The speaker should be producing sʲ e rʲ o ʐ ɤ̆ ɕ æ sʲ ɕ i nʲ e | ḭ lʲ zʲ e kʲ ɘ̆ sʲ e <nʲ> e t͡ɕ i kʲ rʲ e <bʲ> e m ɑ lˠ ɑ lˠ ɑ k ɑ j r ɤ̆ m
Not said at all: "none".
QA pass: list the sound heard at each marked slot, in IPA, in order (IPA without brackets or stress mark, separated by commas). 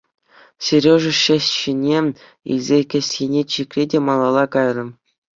nʲ, dʲ